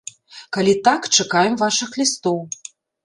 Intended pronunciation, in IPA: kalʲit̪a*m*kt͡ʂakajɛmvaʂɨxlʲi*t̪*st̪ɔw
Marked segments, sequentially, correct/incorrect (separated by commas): incorrect, incorrect